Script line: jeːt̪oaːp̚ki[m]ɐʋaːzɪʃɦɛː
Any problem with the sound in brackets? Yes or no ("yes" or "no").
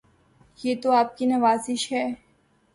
yes